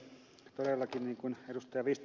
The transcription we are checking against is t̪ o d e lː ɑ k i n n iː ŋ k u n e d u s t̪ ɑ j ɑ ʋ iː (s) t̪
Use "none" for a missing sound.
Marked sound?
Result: s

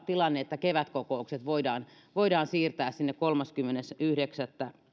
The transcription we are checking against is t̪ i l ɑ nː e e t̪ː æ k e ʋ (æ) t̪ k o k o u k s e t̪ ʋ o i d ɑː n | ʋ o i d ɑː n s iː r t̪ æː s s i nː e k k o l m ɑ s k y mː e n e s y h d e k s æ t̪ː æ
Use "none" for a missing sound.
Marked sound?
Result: æ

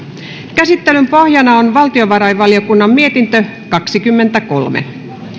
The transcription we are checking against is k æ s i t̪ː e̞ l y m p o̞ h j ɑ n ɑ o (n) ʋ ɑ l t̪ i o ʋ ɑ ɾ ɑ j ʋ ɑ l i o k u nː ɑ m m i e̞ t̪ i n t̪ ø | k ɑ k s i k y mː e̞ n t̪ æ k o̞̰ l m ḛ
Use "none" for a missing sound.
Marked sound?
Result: n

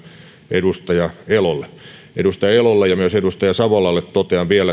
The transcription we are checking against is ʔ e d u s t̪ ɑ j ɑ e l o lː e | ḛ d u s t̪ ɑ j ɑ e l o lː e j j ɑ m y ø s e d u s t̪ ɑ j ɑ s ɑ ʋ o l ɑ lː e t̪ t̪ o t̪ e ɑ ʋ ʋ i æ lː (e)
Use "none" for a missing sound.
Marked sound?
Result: æ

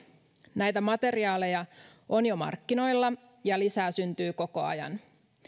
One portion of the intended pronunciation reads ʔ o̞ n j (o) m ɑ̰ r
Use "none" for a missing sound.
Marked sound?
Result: o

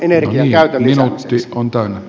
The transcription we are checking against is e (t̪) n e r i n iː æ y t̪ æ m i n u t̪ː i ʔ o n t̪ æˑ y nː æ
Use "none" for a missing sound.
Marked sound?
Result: none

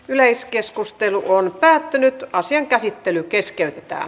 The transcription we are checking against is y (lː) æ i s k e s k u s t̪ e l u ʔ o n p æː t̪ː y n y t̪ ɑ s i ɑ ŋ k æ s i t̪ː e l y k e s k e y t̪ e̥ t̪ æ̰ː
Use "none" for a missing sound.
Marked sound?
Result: l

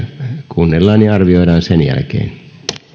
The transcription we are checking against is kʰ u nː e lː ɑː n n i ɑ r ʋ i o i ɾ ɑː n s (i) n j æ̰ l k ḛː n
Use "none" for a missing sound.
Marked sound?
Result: e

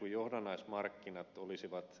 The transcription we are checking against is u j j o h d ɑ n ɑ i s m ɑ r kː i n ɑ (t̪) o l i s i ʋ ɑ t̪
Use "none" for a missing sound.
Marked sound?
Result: t̪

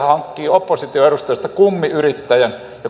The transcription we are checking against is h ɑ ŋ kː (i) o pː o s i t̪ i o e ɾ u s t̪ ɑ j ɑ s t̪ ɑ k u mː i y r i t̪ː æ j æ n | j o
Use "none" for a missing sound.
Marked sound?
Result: iː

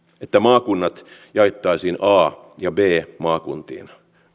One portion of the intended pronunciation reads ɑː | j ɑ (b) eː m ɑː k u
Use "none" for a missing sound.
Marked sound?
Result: b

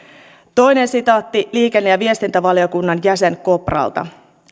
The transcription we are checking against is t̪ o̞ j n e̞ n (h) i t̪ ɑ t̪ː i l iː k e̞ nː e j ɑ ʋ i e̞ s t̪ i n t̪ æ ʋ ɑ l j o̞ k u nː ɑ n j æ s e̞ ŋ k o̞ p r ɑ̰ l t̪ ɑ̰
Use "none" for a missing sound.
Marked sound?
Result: s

